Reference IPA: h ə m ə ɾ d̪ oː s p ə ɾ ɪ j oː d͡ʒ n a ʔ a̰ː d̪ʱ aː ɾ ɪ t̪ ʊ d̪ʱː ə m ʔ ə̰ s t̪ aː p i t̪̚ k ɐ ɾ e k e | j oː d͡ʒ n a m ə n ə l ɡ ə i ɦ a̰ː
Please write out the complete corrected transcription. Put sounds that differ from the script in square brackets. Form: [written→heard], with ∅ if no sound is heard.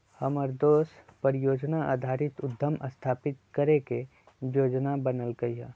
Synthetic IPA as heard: h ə m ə ɾ d̪ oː s p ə ɾ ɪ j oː d͡ʒ n a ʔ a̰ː d̪ʱ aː ɾ ɪ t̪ ʊ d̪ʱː ə m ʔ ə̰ s [t̪→t̪ʰ] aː p [i→ɪ] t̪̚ k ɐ ɾ e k e | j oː d͡ʒ n a [m→b] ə n ə l ɡ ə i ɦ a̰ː

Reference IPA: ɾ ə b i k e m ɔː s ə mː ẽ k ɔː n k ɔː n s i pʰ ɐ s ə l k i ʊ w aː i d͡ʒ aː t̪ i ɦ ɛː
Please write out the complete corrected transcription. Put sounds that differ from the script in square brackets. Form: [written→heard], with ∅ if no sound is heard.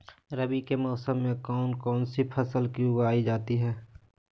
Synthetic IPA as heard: ɾ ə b i k e m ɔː s ə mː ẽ k ɔː n k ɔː n s i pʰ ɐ s ə l k i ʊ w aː i d͡ʒ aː t̪ i ɦ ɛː

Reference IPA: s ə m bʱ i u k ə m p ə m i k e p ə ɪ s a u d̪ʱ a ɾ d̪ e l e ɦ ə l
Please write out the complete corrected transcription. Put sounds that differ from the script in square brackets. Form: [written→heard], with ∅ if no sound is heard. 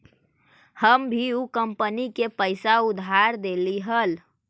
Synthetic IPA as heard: [s→h] ə m bʱ i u k ə m p ə [m→n] i k e p ə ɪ s a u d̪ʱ a ɾ d̪ e l [e→i] ɦ ə l

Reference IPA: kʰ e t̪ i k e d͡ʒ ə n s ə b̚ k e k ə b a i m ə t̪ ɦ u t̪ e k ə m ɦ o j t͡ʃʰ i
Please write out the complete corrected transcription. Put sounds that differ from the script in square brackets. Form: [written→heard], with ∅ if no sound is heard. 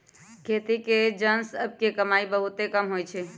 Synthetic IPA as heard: kʰ e t̪ i k e d͡ʒ ə n s ə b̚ k e k ə [b→m] a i [m→b] ə [t̪→∅] ɦ u t̪ e k ə m ɦ o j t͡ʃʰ [i→ɛ]

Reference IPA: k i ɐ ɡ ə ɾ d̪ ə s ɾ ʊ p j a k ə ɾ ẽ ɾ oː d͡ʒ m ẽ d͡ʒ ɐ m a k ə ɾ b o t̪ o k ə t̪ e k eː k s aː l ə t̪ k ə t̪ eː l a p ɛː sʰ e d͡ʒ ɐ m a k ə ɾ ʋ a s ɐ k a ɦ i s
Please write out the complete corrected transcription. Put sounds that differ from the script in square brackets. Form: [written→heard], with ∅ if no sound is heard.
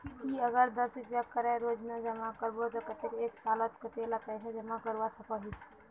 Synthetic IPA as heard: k i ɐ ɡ ə ɾ d̪ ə s ɾ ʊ p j a k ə ɾ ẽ ɾ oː d͡ʒ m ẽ d͡ʒ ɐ m a k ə ɾ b o t̪ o k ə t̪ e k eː k s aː l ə t̪ k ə t̪ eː l a p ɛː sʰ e d͡ʒ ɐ m a k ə ɾ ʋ a s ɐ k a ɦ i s

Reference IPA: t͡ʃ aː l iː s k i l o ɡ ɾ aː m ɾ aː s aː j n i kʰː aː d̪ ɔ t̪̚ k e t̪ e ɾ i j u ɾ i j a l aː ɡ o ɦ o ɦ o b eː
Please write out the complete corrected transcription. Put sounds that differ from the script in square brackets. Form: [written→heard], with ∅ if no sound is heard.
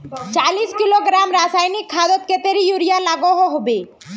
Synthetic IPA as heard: t͡ʃ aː l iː s k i l o ɡ ɾ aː m ɾ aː s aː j n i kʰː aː d̪ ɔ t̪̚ k e t̪ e ɾ i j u ɾ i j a l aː ɡ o ɦ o ɦ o b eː

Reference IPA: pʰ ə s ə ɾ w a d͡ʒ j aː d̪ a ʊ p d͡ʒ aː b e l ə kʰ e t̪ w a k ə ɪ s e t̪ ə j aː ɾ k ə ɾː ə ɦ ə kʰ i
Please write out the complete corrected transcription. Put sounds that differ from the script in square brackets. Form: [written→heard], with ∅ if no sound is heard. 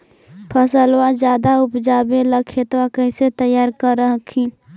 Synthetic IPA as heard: pʰ ə s ə [ɾ→l] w a d͡ʒ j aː d̪ a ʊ p d͡ʒ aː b e l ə kʰ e t̪ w a k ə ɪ s e t̪ ə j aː ɾ k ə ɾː ə ɦ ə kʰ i

